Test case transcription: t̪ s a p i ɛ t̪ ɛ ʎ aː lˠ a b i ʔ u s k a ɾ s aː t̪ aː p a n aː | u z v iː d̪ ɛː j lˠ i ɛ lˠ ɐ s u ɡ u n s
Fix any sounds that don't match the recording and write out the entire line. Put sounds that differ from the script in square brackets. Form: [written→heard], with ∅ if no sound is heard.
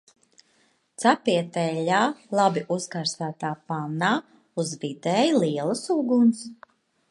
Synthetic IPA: t̪ s a p i ɛ t̪ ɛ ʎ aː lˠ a b i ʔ u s k a ɾ s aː t̪ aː p a n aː | u z v [iː→i] d̪ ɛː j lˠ i ɛ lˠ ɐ s u ɡ u n s

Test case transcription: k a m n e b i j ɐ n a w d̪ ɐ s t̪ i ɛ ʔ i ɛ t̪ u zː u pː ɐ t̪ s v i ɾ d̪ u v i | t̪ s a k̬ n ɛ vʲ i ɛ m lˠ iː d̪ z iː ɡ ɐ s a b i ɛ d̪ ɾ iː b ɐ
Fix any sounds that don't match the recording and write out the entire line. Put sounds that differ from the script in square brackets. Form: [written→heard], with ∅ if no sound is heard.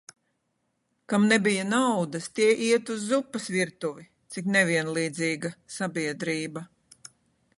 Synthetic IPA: k a m n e b i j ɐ n a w d̪ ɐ s t̪ i ɛ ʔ i ɛ t̪ u zː u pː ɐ [t̪→∅] s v i ɾ [d̪→t̪] u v i | t̪ s [a→i] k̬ n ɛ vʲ i ɛ [m→n] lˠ iː d̪ z iː ɡ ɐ s a b i ɛ d̪ ɾ iː b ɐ

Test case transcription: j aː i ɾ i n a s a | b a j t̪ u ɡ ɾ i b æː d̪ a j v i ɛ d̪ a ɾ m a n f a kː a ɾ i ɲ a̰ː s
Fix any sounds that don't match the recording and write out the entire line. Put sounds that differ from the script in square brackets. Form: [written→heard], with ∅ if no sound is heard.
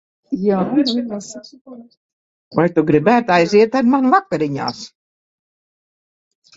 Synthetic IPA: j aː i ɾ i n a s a | [b→v] a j t̪ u ɡ ɾ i b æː [d̪→t̪] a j [v→z] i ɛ [d̪→t̪] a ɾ m a n [f→v] a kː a ɾ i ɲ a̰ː s

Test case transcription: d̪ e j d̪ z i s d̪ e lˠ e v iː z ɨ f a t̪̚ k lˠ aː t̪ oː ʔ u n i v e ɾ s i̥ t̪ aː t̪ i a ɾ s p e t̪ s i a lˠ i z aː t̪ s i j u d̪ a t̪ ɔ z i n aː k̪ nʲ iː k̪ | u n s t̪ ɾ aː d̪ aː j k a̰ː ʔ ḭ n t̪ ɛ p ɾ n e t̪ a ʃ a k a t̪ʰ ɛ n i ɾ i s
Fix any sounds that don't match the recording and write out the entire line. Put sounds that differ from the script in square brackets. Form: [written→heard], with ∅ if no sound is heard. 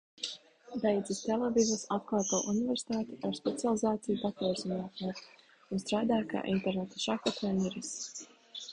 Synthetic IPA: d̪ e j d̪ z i s [d̪→t̪] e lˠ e v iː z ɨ [f→s] a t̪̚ k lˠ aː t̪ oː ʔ u n i v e ɾ s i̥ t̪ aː t̪ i a ɾ s p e t̪ s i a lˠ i z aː t̪ s i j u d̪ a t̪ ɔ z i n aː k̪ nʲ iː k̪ | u n s t̪ ɾ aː d̪ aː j k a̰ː ʔ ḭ n t̪ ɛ [p→∅] ɾ n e t̪ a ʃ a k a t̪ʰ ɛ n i ɾ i s

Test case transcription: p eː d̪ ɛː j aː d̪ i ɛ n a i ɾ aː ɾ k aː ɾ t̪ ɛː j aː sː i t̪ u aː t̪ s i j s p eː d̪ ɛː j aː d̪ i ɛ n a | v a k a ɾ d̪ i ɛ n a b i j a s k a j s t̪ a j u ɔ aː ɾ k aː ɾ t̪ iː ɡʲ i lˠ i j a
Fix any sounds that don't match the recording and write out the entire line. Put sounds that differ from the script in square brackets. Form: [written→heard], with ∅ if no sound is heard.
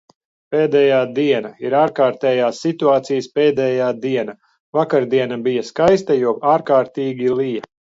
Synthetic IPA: p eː d̪ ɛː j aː d̪ i ɛ n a i ɾ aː ɾ k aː ɾ t̪ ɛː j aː sː i t̪ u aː t̪ s i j s p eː d̪ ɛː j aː d̪ i ɛ n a | v a k a ɾ d̪ i ɛ n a b i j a s k a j s t̪ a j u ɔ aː ɾ k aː ɾ t̪ iː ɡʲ i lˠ i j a

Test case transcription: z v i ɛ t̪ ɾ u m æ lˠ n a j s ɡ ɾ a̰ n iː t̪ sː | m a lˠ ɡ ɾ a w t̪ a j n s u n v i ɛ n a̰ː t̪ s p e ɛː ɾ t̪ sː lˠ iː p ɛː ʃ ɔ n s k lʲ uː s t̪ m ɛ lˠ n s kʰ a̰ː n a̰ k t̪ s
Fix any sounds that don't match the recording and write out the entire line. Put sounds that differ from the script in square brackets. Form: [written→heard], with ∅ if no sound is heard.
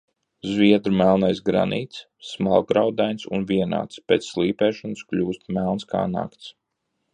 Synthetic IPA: z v i ɛ [t̪→d̪] ɾ u m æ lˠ n a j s ɡ ɾ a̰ n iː t̪ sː | m a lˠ ɡ ɾ a w [t̪→d̪] a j n s u n v i ɛ n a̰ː t̪ s p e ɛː [ɾ→∅] t̪ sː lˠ iː p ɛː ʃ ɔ n s k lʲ uː s t̪ m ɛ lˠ n s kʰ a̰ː n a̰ k t̪ s

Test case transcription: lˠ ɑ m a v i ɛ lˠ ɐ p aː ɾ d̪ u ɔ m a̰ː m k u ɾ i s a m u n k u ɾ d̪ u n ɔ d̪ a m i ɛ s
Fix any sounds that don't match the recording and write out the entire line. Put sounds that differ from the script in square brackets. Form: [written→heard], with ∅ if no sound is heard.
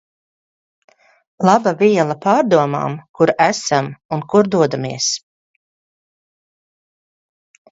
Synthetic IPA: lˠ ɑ [m→b] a v i ɛ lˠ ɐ p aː ɾ d̪ u ɔ m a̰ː m k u ɾ [i→æ] s a m u n k u ɾ d̪ u [n→∅] ɔ d̪ a m i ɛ s

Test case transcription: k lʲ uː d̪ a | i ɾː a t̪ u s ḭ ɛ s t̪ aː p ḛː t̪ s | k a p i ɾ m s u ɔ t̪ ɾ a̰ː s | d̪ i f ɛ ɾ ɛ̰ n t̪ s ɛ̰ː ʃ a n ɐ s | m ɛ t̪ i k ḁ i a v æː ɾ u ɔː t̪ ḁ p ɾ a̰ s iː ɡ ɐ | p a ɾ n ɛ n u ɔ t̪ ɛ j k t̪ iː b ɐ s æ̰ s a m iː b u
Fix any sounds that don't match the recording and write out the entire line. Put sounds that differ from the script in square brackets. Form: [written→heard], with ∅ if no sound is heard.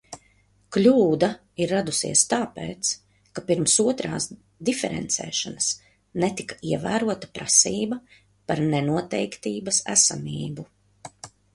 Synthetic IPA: k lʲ uː d̪ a | i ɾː a [t̪→d̪] u s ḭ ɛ s t̪ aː p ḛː t̪ s | k a p i ɾ m s u ɔ t̪ ɾ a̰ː s | d̪ i f ɛ ɾ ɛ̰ n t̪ s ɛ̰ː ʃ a n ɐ s | [m→n] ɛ t̪ i k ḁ i [a→ɛ] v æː ɾ u [ɔː→ɔ] t̪ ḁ p ɾ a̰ s iː [ɡ→b] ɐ | p a ɾ n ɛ n u ɔ t̪ ɛ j k t̪ iː b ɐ s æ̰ s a m iː b u

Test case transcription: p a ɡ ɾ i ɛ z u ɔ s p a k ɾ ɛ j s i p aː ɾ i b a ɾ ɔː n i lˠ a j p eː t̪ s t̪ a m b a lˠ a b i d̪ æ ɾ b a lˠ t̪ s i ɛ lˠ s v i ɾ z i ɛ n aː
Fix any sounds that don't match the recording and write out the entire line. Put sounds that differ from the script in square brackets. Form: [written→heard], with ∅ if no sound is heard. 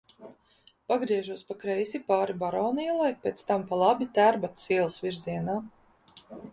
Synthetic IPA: p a ɡ ɾ i ɛ [z→ʒ] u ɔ s p a k ɾ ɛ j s i p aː ɾ i b a ɾ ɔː n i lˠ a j p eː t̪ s t̪ a m [b→p] a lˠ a b i [d̪→t̪] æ ɾ b a [lˠ→∅] t̪ s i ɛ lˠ s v i ɾ z i ɛ n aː

